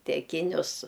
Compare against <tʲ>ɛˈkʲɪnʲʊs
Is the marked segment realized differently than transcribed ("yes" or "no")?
no